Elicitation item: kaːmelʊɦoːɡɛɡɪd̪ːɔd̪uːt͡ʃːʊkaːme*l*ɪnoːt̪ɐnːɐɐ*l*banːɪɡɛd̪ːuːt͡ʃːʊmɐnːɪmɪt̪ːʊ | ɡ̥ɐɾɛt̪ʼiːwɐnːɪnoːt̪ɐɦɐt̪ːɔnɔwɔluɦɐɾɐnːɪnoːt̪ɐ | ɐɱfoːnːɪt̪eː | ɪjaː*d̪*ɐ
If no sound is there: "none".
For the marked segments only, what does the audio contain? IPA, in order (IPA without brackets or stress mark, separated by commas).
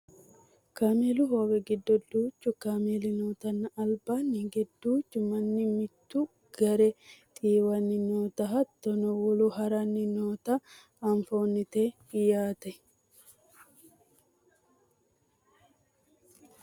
l, l, t̪